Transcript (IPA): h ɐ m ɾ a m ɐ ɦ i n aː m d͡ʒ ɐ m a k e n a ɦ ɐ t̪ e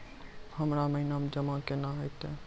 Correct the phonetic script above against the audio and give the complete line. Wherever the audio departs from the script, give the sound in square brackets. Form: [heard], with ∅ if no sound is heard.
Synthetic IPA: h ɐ m ɾ a m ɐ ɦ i n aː m d͡ʒ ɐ m a k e n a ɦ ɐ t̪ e